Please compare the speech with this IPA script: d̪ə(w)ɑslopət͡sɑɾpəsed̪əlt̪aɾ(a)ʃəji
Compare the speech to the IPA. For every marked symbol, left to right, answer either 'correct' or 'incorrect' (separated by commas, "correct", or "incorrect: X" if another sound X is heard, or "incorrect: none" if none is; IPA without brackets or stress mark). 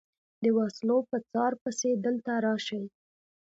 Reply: correct, incorrect: ɑ